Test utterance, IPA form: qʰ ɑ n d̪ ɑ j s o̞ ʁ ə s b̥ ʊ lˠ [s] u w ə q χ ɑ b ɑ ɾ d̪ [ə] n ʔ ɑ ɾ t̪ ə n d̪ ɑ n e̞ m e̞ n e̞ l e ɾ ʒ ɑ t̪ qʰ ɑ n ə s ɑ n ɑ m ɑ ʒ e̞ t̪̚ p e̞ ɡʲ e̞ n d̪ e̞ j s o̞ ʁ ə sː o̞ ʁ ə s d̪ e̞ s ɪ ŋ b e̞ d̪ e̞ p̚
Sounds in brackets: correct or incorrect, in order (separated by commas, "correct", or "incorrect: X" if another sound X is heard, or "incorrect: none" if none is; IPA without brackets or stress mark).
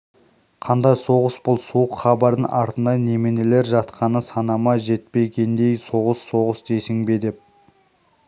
correct, correct